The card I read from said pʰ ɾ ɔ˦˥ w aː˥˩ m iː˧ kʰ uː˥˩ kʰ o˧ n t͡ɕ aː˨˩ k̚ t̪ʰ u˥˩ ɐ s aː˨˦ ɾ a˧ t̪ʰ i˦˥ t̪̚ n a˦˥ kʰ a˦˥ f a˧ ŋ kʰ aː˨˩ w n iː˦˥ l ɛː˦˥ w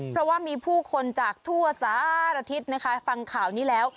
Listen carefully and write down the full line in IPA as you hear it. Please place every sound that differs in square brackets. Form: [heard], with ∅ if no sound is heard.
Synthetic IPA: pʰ ɾ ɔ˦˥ w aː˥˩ m iː˧ [pʰ] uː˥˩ kʰ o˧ n t͡ɕ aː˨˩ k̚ t̪ʰ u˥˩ ɐ s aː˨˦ ɾ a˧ t̪ʰ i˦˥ t̪̚ n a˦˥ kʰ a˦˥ f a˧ ŋ kʰ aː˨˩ w n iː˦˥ l ɛː˦˥ w